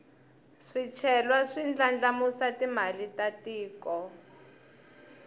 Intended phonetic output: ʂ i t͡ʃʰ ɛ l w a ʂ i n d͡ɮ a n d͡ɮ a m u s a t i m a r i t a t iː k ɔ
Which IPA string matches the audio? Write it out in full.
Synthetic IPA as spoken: ʂ i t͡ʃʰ ɛ l w a ʂ i n d͡ɮ a n d͡ɮ a m u s a t i m a l i t a t iː k ɔ

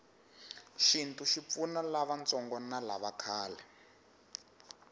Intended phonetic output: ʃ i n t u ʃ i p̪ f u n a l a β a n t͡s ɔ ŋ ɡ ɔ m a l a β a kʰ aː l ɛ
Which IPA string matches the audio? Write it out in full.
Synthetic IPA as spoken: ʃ i n t u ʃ i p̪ f u n a l a β a n t͡s ɔ ŋ ɡ ɔ n a l a β a kʰ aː l ɛ

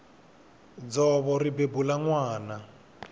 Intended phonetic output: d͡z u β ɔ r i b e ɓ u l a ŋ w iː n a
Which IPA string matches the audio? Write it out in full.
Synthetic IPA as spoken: d͡z ɔ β ɔ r i b e b u l a ŋ w aː n a

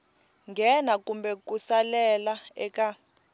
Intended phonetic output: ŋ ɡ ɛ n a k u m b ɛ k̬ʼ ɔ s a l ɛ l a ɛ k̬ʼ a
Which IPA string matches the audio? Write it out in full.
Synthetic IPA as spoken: ŋ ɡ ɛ n a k u m b ɛ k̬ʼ u s a l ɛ l a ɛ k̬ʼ a

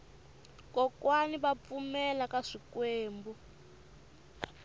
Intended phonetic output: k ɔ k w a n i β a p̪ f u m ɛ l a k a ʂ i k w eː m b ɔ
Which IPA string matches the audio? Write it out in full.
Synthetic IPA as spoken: k ɔ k w a n i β a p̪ f u m ɛ l a k a ʂ i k w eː m b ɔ

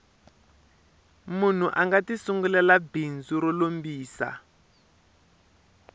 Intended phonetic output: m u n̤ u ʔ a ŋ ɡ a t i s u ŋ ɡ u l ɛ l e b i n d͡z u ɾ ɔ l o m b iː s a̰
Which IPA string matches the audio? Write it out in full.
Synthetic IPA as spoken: m u n̤ u ʔ a ŋ ɡ a t i s u ŋ ɡ u l ɛ l a b i n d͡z u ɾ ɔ l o m b iː s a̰

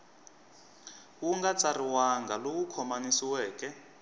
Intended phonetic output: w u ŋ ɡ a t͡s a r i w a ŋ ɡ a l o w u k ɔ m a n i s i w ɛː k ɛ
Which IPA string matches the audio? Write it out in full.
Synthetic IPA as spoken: w u ŋ ɡ a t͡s a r i w a ŋ ɡ a l o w u kʰ ɔ m a n i s i w ɛː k ɛ

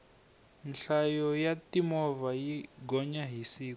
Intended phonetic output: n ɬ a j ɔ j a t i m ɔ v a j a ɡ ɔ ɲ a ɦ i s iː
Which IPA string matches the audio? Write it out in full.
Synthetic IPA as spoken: n ɬ a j ɔ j a t i m ɔ v a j i ɡ ɔ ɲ a ɦ i s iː

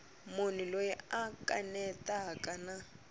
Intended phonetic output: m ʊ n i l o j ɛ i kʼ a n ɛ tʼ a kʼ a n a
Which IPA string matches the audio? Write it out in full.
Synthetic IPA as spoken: m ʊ n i l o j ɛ a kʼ a n ɛ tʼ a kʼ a n a

